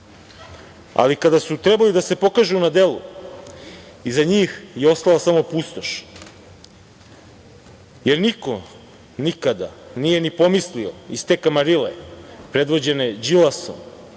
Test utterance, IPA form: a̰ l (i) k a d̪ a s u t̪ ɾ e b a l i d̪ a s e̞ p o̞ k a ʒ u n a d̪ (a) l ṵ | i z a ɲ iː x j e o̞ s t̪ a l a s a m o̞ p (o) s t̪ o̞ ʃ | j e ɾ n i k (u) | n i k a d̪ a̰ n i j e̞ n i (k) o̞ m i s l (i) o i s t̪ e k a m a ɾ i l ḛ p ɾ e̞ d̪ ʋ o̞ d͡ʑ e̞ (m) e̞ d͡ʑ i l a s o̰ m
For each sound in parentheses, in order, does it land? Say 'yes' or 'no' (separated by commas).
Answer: yes, no, no, no, no, yes, no